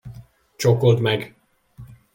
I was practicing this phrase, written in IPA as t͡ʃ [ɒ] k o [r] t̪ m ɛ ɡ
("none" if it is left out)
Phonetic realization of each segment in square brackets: o, l

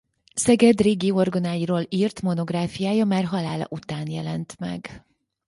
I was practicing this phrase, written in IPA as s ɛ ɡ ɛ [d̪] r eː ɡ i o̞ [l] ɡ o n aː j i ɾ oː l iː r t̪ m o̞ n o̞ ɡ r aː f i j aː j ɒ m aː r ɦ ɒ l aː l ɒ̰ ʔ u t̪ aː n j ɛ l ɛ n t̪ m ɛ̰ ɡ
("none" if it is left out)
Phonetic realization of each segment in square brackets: d̪, r

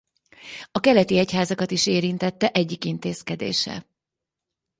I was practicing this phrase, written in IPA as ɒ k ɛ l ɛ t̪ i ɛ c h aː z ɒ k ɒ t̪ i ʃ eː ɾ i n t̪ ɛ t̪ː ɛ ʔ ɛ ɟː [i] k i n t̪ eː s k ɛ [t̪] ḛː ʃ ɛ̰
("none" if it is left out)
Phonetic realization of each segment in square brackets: i, d̪

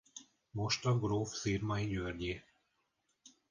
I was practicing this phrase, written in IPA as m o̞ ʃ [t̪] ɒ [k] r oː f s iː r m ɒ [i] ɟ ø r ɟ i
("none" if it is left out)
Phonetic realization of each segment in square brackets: t̪, ɡ, i

